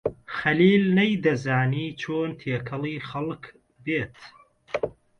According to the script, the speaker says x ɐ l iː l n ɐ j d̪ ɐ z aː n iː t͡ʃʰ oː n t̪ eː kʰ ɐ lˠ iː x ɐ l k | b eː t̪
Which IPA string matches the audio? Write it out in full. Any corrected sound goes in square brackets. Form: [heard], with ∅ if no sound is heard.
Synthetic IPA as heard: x ɐ l iː l n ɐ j d̪ ɐ z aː n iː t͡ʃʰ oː n [t̪ʰ] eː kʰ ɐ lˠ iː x ɐ l k | b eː t̪